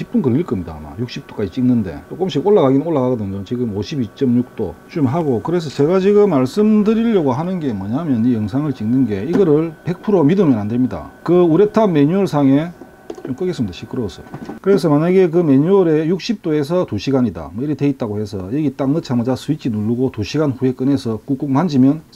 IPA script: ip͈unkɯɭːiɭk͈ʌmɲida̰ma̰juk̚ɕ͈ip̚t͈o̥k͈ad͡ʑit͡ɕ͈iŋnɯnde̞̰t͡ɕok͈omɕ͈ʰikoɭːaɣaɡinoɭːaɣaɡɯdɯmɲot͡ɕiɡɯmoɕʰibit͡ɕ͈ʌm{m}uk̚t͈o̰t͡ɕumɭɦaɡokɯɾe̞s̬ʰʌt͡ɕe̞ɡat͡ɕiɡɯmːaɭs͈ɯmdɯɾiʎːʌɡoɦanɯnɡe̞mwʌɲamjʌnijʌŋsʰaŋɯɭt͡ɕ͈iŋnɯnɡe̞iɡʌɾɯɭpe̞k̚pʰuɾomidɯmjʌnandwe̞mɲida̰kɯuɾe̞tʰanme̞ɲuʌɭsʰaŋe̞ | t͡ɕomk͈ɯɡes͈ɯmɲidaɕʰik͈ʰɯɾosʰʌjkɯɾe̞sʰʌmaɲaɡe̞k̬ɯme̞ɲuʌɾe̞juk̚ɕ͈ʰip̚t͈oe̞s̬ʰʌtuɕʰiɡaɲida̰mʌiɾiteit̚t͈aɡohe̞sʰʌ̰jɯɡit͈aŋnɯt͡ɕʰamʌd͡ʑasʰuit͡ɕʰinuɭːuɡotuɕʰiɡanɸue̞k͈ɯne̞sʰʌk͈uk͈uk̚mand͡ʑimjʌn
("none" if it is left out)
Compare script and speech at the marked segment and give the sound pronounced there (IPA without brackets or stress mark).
ɲ